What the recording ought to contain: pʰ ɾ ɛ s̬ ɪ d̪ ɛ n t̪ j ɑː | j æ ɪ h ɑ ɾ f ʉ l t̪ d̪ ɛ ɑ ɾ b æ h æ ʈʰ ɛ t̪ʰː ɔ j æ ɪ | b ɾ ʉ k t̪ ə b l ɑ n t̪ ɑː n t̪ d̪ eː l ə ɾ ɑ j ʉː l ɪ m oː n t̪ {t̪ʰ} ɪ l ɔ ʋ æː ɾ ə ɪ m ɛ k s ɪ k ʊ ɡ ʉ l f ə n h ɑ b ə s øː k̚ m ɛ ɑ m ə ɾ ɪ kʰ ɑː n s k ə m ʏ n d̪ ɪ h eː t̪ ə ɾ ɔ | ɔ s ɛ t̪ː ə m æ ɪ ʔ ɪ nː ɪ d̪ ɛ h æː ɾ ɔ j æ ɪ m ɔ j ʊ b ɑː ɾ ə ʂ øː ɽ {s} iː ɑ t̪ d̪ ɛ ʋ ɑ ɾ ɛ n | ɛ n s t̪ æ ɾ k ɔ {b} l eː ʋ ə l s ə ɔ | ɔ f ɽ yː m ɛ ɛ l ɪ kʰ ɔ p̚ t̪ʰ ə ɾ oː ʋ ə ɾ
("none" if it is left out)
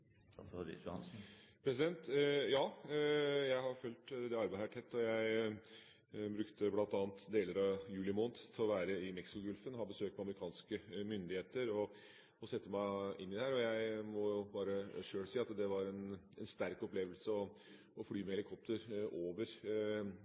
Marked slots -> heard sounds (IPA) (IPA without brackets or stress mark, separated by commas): t̪ʰ, s, p